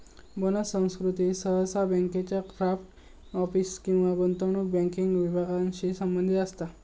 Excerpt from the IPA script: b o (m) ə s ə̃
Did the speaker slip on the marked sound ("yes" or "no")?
yes